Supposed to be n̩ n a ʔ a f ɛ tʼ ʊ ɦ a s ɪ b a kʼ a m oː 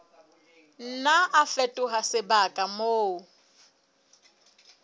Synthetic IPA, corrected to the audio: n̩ n a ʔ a f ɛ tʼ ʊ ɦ a s ɪ b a kʼ a m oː